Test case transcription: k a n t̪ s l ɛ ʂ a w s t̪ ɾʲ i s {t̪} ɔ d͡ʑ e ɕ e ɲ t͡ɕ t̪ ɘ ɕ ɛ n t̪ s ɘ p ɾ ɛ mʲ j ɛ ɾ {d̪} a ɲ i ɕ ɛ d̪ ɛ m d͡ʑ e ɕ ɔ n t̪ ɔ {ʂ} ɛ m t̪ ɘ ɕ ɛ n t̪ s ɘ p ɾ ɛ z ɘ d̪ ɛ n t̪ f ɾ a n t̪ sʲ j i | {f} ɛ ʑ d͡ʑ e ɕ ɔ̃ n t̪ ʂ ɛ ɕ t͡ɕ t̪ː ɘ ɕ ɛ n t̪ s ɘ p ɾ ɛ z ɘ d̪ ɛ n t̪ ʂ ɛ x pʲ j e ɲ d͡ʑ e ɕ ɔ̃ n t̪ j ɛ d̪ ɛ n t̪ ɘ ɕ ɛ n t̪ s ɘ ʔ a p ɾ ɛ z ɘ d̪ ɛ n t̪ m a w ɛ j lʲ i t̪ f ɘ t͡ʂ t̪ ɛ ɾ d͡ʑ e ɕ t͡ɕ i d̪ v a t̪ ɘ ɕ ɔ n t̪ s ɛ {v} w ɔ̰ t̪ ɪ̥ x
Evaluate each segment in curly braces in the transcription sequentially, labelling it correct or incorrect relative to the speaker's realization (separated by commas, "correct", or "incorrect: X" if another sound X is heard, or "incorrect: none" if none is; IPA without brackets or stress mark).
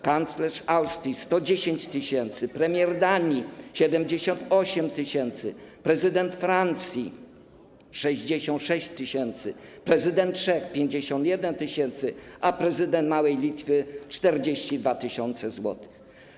correct, correct, incorrect: ɕ, incorrect: ʂ, incorrect: z